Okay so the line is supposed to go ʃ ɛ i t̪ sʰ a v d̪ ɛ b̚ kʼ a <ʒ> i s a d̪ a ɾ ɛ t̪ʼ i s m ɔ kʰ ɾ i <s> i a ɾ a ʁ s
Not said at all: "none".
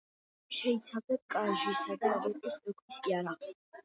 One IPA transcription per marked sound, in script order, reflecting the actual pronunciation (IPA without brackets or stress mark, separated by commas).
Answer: ʒ, s